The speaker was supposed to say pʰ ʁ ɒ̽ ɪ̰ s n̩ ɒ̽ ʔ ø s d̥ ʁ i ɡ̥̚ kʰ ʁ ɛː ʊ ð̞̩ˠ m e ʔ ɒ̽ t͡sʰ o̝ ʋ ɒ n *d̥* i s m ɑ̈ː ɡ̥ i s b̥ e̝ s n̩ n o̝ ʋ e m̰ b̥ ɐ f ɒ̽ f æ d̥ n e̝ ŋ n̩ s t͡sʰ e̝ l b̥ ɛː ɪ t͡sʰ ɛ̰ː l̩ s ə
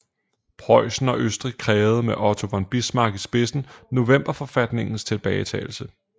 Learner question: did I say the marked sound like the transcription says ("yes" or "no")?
no